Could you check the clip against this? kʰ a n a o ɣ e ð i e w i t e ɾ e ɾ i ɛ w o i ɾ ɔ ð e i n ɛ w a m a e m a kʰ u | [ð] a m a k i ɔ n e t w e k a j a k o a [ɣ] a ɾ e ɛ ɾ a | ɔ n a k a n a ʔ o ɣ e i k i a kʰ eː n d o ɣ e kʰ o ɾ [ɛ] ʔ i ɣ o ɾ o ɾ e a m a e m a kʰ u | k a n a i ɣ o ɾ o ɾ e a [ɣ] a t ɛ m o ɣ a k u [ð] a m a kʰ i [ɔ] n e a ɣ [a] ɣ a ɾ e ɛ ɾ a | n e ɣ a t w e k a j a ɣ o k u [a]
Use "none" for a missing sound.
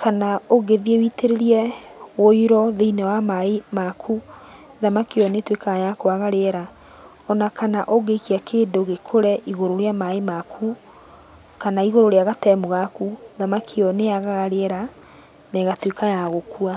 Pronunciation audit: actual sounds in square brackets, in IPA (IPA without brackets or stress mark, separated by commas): ð, ɣ, ɛ, ɣ, ð, ɔ, a, a